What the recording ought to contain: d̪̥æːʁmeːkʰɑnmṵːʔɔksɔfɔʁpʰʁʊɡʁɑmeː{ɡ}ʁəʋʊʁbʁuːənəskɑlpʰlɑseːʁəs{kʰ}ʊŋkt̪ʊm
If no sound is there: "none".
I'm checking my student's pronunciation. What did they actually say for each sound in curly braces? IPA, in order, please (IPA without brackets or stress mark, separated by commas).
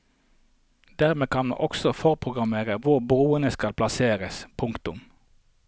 none, pʰ